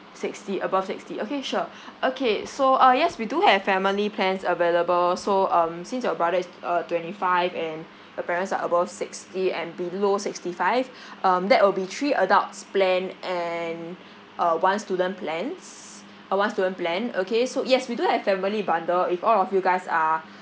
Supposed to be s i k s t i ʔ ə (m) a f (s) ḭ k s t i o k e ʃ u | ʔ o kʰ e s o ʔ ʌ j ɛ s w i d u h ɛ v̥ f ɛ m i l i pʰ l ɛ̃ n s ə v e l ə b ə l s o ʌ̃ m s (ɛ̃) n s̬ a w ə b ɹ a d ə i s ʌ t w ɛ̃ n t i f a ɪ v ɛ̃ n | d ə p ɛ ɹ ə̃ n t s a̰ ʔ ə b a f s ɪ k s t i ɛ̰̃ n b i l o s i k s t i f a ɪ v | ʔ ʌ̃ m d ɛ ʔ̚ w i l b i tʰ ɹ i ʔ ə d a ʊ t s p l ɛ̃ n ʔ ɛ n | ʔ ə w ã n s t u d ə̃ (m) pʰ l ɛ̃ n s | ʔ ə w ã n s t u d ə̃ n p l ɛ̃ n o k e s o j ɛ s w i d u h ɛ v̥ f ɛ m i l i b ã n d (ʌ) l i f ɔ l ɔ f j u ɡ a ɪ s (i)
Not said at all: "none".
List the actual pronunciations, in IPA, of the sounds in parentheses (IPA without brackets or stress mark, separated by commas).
b, s, ĩ, n, ə, a